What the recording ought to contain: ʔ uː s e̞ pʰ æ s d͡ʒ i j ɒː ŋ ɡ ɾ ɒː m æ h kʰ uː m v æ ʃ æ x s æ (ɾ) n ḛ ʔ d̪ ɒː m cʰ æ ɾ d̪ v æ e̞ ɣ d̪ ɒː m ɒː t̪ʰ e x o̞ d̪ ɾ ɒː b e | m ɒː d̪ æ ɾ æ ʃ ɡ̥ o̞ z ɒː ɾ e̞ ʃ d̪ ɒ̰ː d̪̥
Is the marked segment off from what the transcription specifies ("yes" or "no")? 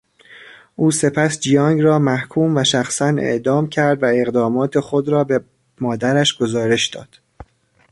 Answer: yes